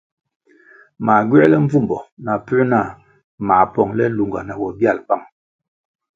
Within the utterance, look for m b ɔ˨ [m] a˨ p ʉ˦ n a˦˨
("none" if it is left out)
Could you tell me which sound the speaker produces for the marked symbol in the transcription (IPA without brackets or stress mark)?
n